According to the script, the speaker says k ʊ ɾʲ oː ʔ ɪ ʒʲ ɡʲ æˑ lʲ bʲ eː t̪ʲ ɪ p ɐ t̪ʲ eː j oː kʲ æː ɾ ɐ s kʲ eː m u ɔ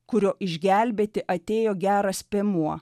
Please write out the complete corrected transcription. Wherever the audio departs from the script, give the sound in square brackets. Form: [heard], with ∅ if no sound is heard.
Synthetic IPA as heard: k ʊ ɾʲ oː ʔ ɪ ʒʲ ɡʲ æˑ lʲ bʲ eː t̪ʲ ɪ [ʔ] ɐ t̪ʲ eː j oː [ɡʲ] æː ɾ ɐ s [pʲ] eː m u ɔ